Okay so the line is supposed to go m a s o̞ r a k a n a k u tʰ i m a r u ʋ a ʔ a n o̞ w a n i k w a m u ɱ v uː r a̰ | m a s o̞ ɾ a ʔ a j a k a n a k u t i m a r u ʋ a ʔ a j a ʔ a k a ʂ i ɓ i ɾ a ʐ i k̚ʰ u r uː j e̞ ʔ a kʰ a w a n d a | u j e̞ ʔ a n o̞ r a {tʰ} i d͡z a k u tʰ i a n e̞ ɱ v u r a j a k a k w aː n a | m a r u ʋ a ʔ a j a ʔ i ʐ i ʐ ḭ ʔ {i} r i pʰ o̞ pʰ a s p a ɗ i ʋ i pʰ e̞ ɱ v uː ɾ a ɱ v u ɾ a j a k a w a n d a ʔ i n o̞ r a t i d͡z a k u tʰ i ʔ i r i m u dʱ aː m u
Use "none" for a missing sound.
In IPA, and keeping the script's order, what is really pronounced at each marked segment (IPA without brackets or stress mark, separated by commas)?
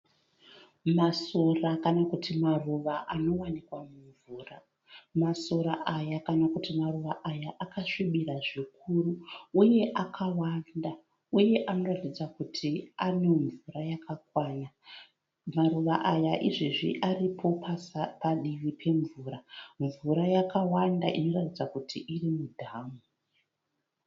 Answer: t, a